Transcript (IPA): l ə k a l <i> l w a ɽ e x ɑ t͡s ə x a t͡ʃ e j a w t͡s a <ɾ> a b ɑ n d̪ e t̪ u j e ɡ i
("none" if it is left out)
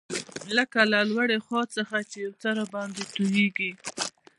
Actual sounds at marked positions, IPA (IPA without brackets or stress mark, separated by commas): a, ɾ